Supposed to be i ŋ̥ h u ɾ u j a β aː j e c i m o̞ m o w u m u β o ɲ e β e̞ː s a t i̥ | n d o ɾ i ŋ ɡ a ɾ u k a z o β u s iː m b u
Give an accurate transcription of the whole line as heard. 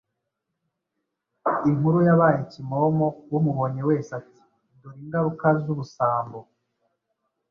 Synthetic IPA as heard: i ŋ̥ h u ɾ u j a β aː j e c i m o̞ m o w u m u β o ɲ e w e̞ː s a t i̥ | n d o ɾ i ŋ ɡ a ɾ u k a z u β u s aː m b o